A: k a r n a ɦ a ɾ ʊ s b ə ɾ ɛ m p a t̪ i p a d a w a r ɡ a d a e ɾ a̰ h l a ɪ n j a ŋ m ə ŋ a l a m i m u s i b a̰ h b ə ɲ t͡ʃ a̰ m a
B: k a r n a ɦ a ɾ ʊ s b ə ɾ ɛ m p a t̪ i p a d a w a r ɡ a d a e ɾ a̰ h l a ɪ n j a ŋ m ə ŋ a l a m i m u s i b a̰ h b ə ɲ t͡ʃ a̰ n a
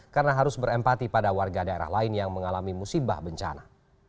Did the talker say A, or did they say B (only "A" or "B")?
B